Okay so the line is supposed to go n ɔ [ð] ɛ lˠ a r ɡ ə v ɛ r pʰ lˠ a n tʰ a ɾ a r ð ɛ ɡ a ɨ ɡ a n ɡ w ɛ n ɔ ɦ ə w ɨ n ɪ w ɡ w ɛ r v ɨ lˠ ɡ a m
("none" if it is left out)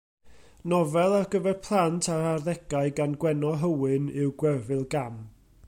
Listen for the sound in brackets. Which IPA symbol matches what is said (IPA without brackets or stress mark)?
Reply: v